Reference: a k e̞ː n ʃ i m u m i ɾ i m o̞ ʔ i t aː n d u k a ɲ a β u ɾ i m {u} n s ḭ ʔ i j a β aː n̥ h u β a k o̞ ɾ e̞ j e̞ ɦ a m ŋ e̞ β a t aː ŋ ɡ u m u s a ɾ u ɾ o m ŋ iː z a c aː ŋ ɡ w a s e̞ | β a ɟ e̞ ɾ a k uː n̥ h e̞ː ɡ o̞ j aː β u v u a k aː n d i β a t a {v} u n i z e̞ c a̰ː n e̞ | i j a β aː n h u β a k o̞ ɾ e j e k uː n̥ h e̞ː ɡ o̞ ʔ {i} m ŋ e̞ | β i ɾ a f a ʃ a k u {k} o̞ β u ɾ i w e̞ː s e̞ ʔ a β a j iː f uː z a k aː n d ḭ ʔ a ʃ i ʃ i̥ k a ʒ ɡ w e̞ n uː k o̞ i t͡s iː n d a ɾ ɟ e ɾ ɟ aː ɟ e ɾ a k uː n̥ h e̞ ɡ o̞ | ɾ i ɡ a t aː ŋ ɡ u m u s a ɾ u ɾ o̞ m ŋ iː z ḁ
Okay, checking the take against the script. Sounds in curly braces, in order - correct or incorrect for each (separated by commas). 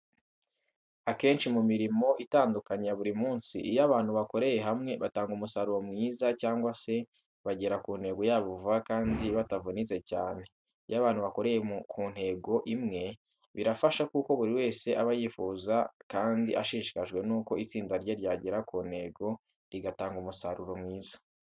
incorrect, correct, correct, correct